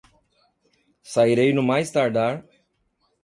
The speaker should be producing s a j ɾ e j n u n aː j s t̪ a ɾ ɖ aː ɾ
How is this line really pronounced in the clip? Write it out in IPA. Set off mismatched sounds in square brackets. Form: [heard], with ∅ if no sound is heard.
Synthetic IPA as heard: s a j ɾ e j n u [m] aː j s t̪ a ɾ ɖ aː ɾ